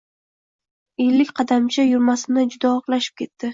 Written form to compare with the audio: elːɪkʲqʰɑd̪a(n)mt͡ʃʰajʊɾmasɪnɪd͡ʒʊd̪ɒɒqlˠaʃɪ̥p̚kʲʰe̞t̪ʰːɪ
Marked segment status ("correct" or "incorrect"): incorrect